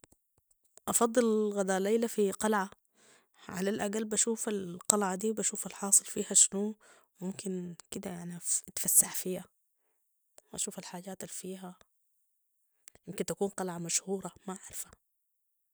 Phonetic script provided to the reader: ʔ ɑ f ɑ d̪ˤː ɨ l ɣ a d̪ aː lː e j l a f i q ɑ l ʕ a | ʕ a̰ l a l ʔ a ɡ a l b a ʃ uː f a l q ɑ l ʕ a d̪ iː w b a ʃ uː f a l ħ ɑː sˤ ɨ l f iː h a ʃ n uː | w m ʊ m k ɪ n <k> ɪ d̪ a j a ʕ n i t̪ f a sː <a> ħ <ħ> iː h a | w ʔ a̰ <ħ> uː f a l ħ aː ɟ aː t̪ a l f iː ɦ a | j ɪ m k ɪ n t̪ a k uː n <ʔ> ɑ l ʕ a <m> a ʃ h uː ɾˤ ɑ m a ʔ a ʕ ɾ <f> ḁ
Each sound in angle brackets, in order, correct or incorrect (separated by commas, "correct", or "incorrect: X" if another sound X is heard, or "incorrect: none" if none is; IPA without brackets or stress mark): correct, correct, incorrect: f, incorrect: ʃ, incorrect: q, correct, correct